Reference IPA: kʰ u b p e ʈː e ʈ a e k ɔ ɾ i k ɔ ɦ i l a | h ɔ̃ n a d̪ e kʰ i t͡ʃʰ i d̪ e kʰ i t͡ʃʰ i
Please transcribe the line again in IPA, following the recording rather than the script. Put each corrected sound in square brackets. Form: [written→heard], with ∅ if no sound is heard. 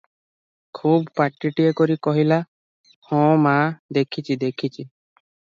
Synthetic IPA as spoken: kʰ u b p [e→a] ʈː [e→i] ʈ [a→i] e k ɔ ɾ i k ɔ ɦ i l a | h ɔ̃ [n→m] a d̪ e kʰ i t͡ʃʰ i d̪ e kʰ i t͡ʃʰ i